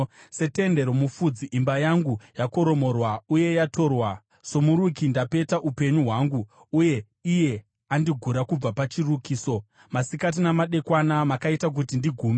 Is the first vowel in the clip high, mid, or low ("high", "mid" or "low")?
mid